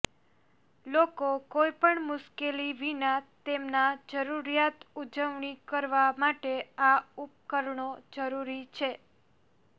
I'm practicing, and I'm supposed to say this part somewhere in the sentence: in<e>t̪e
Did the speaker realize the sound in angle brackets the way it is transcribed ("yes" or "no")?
no